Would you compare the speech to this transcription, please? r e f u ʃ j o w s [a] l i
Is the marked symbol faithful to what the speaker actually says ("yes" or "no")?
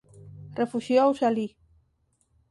yes